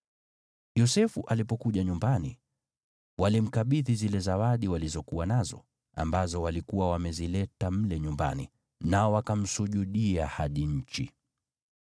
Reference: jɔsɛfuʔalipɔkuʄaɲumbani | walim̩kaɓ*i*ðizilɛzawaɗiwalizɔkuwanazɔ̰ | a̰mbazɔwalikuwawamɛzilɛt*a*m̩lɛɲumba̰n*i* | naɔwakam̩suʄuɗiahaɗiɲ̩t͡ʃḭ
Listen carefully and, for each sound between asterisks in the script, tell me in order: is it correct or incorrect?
correct, correct, correct

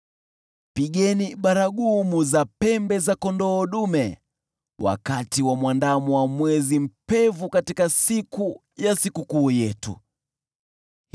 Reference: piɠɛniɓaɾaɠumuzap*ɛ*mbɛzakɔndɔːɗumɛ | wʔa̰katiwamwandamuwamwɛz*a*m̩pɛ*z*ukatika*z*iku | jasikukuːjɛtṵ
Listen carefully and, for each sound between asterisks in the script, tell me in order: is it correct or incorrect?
correct, incorrect: i, incorrect: v, incorrect: s

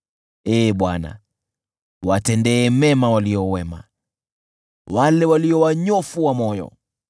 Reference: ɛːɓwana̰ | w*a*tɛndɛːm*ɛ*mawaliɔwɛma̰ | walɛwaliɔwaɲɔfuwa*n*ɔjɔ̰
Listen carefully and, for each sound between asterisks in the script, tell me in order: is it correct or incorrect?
correct, correct, incorrect: m

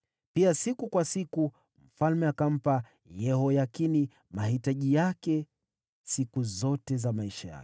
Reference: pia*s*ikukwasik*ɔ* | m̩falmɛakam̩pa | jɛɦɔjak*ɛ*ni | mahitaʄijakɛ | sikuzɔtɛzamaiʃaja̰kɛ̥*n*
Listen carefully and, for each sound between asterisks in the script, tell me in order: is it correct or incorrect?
correct, incorrect: u, incorrect: i, incorrect: none

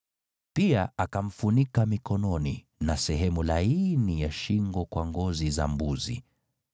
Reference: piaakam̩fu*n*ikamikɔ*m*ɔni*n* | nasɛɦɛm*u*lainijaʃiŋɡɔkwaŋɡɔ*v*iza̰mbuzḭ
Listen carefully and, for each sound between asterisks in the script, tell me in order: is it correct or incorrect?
correct, incorrect: n, incorrect: none, correct, incorrect: z

